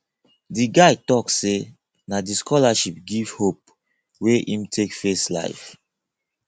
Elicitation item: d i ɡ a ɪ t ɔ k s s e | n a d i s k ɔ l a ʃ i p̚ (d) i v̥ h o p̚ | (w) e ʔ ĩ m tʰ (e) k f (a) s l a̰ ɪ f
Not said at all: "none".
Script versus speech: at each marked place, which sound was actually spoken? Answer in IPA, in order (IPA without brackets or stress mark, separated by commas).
ɡ, w, e, e